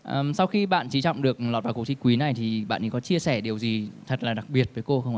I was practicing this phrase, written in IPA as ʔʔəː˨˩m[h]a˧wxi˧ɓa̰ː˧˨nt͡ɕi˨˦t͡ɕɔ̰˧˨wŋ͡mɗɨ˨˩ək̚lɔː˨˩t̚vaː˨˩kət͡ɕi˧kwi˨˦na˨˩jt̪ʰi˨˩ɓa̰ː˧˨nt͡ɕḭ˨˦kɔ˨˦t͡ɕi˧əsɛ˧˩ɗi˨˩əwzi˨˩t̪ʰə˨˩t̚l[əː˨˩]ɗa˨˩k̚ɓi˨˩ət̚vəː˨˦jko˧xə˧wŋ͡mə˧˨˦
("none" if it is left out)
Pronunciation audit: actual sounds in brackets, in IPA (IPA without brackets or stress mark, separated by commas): s, aː˨˩